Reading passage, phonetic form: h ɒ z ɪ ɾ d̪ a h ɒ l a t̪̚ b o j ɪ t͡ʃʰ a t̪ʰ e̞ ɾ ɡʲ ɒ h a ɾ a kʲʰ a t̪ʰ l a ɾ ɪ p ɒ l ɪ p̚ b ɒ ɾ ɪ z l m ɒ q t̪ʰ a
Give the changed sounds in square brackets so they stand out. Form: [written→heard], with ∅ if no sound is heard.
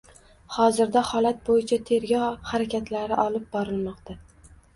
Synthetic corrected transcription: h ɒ z ɪ ɾ d̪ a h ɒ l a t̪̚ b o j ɪ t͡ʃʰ a t̪ʰ e̞ ɾ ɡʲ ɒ h a ɾ a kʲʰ a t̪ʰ l a ɾ ɪ [p→ʔ] ɒ l ɪ p̚ b ɒ ɾ ɪ [z→∅] l m ɒ q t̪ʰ a